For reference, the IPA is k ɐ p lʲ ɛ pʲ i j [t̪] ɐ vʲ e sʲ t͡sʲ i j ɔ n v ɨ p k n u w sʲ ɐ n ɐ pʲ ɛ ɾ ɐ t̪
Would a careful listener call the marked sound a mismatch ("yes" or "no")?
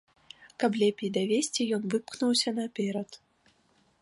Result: yes